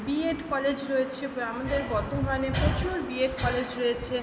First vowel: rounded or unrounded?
unrounded